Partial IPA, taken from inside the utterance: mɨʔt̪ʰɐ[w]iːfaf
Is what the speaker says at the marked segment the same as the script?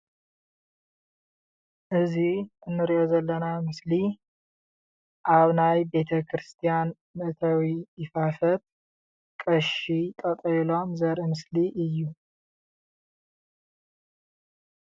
yes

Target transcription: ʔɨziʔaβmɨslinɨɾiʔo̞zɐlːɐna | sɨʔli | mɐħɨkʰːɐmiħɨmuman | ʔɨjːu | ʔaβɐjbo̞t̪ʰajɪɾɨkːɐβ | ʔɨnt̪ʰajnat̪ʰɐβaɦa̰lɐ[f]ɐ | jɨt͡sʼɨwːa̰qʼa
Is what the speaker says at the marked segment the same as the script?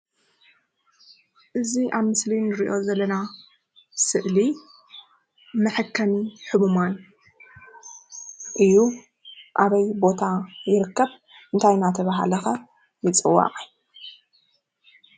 no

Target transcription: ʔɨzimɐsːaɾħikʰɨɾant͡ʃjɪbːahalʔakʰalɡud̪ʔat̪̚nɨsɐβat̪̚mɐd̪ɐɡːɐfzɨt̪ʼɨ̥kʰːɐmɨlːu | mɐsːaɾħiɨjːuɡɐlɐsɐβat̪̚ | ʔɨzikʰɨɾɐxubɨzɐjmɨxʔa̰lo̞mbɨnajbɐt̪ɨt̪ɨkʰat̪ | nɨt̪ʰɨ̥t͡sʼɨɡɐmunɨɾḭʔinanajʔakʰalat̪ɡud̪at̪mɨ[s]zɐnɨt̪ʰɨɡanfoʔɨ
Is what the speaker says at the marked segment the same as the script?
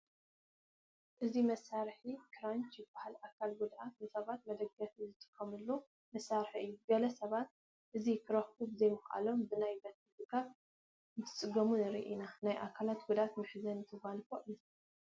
no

